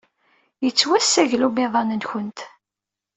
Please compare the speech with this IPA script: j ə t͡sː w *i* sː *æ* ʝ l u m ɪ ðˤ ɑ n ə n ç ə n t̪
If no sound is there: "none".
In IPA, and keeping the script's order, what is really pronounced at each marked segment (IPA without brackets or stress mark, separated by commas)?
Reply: æ, æ